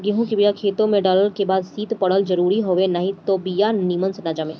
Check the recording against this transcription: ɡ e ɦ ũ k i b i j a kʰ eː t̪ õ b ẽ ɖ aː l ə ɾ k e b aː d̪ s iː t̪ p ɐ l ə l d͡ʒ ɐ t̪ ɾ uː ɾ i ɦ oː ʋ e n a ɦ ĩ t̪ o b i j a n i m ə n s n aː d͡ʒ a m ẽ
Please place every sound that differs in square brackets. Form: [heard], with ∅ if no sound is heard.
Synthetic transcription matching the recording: ɡ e ɦ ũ k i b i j a kʰ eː t̪ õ [m] ẽ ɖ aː l ə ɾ k e b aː d̪ s iː t̪ p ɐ [ɽ] ə l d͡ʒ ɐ [∅] ɾ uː ɾ i ɦ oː ʋ e n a ɦ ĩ t̪ o b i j a n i m ə n s n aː d͡ʒ a m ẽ